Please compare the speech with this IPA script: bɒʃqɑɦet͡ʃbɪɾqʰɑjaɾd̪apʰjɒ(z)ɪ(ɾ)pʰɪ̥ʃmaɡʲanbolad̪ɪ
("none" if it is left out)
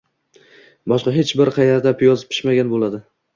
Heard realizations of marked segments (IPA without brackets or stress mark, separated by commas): z, none